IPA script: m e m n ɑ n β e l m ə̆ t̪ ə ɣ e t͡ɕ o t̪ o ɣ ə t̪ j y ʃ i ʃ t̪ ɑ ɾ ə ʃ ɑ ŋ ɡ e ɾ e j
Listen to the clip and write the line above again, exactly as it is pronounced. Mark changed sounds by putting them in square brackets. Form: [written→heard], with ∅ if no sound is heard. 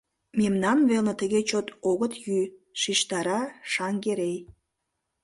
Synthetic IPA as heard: m e m n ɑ n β e l [m→n] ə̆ t̪ ə ɣ e t͡ɕ o t̪ o ɣ ə t̪ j y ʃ i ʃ t̪ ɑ ɾ [ə→ɑ] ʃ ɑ ŋ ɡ e ɾ e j